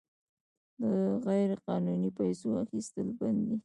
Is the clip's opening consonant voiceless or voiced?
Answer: voiced